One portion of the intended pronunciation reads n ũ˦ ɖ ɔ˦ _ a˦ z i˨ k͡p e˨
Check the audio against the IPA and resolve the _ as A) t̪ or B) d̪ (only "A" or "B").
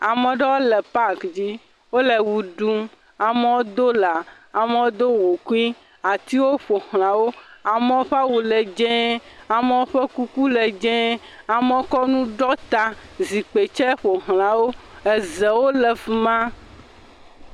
A